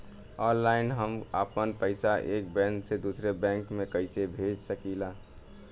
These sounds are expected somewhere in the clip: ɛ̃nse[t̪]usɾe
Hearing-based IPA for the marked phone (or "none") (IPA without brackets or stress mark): d̪